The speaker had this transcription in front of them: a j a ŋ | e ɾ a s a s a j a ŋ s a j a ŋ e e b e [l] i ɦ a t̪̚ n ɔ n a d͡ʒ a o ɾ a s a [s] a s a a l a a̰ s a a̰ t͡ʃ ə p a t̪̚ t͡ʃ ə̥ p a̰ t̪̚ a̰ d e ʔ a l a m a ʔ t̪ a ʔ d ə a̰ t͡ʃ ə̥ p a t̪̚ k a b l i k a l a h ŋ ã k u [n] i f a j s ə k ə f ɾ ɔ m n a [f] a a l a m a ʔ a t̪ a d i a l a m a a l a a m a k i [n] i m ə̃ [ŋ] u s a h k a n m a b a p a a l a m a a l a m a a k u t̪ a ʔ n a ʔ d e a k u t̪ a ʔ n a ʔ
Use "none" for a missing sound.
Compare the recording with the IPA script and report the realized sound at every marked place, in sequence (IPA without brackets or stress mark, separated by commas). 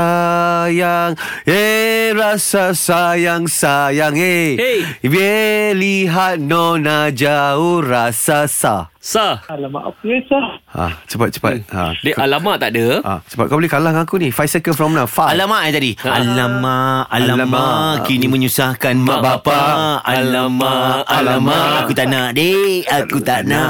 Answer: l, s, n, f, n, ɲ